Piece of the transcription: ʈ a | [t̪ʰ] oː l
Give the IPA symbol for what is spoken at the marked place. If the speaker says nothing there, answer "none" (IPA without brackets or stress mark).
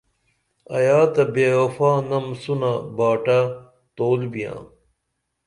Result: t̪